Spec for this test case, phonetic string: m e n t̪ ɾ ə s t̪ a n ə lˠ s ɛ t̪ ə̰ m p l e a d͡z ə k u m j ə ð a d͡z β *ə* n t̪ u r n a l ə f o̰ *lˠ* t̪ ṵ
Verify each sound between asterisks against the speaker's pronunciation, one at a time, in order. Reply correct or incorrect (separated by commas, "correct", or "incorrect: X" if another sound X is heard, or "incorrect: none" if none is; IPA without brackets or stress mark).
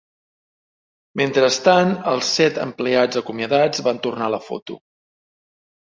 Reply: incorrect: a, incorrect: none